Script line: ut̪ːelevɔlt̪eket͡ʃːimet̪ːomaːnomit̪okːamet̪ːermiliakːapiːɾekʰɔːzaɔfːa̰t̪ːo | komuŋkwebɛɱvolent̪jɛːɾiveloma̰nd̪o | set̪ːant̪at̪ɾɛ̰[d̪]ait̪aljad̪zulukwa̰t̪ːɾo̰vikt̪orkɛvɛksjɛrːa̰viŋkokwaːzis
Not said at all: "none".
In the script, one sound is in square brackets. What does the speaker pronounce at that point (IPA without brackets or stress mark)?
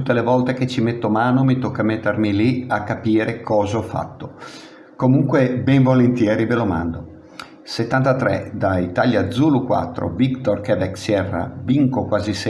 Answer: d̪